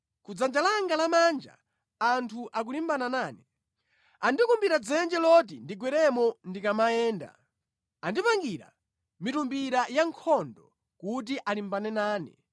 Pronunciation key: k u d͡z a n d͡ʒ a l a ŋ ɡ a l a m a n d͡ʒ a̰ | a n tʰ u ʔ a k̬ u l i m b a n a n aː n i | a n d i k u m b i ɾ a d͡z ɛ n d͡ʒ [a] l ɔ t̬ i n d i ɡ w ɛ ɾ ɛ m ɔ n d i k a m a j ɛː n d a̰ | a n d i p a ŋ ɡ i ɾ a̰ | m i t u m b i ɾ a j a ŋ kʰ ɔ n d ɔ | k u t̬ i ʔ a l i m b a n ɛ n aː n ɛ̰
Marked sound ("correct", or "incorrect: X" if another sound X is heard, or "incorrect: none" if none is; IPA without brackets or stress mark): incorrect: ɛ